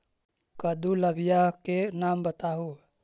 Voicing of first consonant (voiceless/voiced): voiceless